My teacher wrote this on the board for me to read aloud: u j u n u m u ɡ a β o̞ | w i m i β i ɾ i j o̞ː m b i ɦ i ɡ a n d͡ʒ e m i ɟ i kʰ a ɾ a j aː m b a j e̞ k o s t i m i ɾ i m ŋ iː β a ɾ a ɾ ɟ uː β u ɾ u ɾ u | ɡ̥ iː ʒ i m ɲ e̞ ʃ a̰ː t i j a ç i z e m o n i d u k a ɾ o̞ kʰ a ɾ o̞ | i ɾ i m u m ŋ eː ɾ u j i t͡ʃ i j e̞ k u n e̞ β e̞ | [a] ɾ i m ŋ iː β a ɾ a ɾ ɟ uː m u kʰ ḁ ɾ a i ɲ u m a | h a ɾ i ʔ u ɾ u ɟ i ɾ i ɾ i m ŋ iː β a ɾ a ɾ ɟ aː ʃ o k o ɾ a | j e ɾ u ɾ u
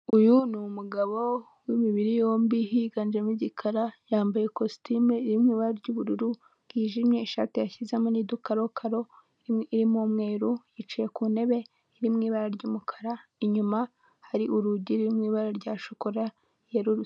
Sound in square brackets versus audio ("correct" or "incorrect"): incorrect